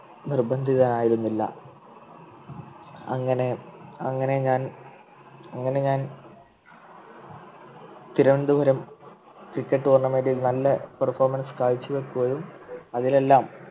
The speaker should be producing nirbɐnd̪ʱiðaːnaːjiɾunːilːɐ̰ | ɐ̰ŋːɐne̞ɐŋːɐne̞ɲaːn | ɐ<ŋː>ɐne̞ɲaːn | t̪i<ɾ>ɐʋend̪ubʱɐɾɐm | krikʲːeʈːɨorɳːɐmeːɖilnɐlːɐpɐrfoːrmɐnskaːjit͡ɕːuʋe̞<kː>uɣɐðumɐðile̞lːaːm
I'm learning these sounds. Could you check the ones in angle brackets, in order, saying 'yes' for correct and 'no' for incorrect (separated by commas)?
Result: yes, yes, yes